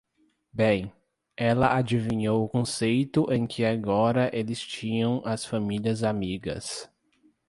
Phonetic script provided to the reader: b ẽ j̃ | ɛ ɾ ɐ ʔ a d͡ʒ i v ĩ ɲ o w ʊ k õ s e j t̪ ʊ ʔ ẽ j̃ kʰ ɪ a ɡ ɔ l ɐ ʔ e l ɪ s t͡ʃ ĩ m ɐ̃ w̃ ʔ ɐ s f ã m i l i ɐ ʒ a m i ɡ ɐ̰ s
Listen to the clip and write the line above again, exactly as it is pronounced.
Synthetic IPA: b ẽ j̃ | ɛ l ɐ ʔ a d͡ʒ i v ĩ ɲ o w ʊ k õ s e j t̪ ʊ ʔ ẽ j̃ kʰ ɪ a ɡ ɔ ɾ ɐ ʔ e l ɪ s t͡ʃ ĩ ɲ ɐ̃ w̃ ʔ ɐ s f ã m i l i ɐ z a m i ɡ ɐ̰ s